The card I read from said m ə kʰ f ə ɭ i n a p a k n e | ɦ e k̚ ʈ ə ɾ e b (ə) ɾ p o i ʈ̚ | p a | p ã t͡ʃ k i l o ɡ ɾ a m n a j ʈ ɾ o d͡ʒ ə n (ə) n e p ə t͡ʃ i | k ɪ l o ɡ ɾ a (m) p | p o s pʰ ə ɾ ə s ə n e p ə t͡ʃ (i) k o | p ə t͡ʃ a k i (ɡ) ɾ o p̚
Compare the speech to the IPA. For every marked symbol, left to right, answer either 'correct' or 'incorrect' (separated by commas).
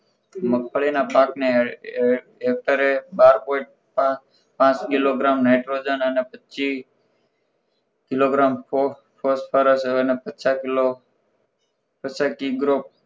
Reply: incorrect, correct, correct, incorrect, correct